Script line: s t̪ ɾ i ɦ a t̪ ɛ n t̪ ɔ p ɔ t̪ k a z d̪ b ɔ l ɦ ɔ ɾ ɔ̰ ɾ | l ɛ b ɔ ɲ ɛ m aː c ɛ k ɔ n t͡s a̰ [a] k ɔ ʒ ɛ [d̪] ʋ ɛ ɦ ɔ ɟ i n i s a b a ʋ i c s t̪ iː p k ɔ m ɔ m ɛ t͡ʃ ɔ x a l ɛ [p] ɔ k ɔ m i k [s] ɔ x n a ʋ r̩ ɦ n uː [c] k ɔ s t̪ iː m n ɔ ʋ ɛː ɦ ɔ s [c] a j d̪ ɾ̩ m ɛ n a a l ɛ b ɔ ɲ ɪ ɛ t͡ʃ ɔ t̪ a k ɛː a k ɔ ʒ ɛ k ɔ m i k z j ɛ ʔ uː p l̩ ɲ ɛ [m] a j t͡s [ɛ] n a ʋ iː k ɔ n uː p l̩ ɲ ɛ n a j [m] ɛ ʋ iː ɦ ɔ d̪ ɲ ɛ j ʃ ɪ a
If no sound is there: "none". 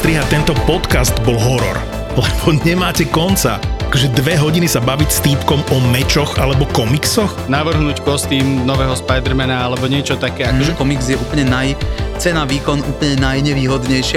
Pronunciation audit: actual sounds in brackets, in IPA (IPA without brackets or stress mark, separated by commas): a, d̪, b, s, c, p, n, ɛ, ɲ